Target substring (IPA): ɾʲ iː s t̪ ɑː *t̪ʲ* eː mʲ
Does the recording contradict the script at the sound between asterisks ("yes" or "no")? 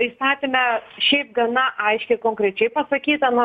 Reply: no